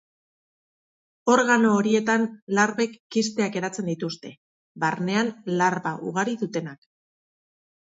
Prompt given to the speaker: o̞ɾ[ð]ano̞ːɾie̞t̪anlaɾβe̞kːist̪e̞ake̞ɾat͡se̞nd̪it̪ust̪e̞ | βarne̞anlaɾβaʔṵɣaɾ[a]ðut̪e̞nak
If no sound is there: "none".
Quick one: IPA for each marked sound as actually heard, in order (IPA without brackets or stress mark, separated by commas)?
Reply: ɣ, i